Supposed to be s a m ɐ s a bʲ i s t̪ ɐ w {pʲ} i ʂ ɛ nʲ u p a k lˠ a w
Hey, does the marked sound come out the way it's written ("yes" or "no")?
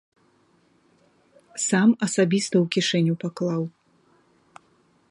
no